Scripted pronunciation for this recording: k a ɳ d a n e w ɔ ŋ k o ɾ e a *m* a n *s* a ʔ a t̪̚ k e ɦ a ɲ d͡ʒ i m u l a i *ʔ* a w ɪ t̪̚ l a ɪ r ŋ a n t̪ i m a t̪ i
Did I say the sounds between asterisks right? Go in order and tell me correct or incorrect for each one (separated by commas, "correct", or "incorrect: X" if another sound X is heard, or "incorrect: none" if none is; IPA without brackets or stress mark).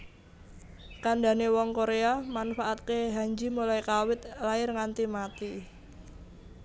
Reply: correct, incorrect: f, incorrect: k